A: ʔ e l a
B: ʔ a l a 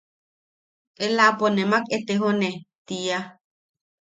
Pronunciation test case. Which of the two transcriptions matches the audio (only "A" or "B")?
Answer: A